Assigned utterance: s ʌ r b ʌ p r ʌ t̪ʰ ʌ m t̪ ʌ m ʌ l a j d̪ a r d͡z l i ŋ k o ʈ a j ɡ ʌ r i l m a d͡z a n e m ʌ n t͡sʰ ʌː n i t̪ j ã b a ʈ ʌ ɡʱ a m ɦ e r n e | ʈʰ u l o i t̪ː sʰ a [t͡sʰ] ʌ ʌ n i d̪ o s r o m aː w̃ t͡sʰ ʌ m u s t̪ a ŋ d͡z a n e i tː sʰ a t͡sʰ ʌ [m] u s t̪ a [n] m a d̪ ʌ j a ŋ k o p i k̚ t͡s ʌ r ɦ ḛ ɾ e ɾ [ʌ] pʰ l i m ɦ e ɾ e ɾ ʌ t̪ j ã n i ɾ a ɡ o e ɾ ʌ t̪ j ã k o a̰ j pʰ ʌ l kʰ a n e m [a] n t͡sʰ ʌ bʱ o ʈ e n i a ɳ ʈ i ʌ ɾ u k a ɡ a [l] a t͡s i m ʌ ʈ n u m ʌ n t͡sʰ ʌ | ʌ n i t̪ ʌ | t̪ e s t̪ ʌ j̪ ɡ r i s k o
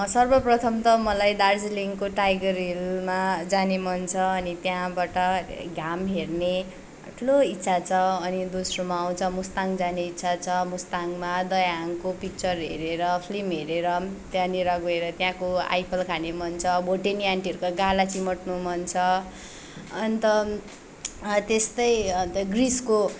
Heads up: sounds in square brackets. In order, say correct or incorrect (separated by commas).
correct, correct, incorrect, correct, incorrect, correct